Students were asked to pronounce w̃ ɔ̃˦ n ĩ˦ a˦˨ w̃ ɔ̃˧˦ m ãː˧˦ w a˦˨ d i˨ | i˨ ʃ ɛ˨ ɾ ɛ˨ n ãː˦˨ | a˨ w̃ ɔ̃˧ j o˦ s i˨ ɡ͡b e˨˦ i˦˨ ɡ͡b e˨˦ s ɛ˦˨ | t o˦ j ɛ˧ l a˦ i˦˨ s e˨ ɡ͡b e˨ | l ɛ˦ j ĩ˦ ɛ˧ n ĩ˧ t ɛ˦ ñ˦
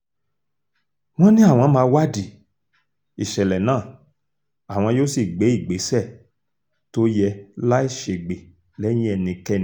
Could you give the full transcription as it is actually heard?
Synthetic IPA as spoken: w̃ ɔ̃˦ n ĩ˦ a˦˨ w̃ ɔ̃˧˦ m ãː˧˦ w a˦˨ d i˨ | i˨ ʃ ɛ˨ l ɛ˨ n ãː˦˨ | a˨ w̃ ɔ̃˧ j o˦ s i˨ ɡ͡b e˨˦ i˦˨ ɡ͡b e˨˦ s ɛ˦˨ | t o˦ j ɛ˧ l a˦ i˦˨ ʃ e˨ ɡ͡b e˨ | l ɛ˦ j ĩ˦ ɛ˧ n ĩ˧ k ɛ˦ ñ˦